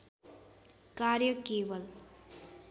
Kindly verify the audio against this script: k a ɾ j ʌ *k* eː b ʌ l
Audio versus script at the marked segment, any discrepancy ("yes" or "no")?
no